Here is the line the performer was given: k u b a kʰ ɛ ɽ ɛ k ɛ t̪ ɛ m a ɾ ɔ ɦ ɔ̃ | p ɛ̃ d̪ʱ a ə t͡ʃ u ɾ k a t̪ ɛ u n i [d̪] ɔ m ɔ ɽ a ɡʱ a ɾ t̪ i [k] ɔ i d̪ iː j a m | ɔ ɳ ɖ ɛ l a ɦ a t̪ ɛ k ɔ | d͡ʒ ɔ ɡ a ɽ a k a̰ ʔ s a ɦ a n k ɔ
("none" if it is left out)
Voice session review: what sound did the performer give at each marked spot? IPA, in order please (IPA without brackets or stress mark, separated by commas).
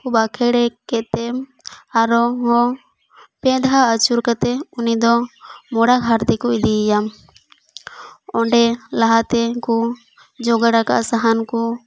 d̪, k